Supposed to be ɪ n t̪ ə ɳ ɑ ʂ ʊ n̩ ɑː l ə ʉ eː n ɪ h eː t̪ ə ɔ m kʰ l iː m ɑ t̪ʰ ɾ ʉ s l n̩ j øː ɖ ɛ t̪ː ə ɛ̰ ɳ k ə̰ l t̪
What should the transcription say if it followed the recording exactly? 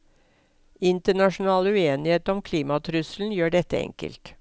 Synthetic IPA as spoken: ɪ n t̪ ə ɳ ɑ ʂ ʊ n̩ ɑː l ə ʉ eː n ɪ h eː t̪ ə ɔ m kʰ l iː m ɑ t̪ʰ ɾ ʉ s l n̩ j øː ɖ ɛ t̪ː ə ɛ̰ ŋ k ə̰ l t̪

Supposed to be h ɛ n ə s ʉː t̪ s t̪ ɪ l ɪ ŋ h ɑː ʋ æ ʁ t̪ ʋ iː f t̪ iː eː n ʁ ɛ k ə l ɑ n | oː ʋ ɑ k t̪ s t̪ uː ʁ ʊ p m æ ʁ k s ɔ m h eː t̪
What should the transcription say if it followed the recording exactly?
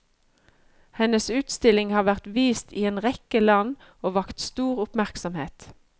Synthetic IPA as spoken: h ɛ n ə s ʉː t̪ s t̪ ɪ l ɪ ŋ h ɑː ʋ æ ʁ t̪ ʋ iː s t̪ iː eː n ʁ ɛ k ə l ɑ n | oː ʋ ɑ k t̪ s t̪ uː ʁ ʊ p m æ ʁ k s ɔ m h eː t̪

